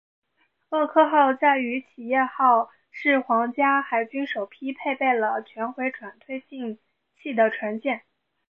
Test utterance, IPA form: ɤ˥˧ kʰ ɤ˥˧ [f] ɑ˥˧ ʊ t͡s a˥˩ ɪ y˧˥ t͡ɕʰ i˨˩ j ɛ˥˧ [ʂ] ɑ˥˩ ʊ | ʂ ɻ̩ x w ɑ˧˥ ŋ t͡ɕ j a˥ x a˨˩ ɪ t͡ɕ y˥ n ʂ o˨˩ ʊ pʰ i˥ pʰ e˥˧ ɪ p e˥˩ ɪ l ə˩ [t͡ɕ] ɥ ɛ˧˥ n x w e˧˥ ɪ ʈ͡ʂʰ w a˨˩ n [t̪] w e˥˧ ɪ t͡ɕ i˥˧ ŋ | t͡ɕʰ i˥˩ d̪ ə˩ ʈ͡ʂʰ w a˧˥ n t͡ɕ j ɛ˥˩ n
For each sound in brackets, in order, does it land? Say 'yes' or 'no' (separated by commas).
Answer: no, no, no, no